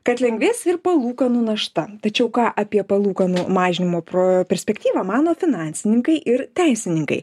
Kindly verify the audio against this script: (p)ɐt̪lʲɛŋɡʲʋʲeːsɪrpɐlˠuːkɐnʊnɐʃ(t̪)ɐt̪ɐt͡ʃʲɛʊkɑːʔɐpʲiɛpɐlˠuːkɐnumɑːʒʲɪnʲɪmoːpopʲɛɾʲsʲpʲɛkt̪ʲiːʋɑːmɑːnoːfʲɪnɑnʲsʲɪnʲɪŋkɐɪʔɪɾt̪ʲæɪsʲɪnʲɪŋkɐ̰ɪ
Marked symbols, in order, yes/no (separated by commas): no, yes